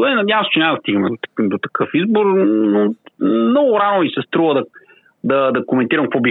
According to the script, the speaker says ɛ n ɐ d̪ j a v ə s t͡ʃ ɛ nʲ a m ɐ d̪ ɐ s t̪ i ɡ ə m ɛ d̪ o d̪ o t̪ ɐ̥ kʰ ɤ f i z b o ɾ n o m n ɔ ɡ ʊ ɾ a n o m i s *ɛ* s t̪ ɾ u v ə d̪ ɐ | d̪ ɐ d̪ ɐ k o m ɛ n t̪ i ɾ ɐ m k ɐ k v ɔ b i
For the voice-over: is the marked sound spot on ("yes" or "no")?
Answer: yes